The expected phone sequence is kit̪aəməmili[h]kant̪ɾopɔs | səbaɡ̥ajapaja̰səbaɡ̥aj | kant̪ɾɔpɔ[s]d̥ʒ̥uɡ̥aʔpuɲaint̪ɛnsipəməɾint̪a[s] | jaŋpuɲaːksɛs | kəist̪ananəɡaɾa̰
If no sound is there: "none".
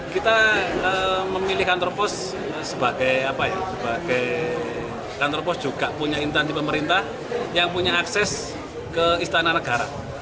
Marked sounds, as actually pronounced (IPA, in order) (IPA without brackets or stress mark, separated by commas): h, s, h